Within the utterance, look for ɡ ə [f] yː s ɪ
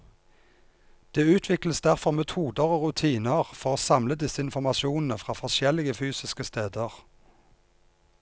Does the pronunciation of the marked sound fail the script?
no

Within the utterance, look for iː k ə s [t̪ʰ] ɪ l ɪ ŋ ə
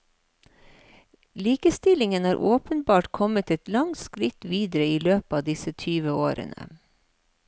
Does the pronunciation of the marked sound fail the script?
yes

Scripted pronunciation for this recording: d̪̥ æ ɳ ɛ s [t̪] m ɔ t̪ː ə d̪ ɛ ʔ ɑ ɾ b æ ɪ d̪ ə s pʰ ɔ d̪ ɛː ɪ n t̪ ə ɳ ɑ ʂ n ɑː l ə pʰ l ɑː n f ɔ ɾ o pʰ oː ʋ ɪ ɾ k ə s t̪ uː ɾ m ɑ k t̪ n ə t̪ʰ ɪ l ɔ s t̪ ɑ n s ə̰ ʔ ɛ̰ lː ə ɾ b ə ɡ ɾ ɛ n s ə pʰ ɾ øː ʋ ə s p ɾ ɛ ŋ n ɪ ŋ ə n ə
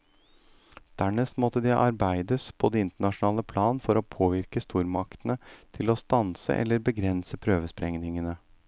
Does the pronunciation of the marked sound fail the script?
no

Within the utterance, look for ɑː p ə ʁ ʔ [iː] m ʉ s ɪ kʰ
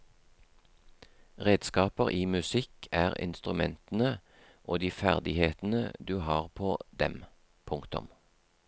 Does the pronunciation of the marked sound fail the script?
no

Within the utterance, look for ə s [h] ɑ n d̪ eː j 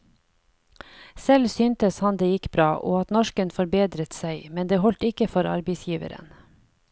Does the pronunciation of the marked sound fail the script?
no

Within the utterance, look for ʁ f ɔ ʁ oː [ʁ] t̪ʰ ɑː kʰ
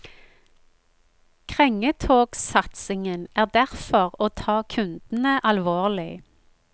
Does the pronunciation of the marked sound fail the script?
yes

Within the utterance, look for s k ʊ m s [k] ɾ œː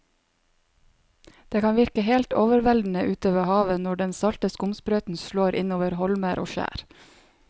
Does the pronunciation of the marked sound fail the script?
yes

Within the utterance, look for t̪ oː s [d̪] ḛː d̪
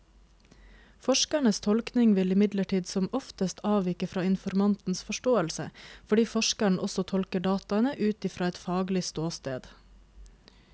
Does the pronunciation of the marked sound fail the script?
yes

